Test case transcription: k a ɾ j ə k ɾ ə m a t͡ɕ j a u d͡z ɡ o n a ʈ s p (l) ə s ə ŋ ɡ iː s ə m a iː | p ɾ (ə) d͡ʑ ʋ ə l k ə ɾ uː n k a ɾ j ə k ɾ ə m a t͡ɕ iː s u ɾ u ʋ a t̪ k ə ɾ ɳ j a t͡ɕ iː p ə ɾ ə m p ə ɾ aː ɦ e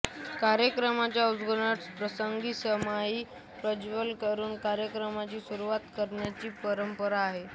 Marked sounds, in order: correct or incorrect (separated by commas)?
incorrect, correct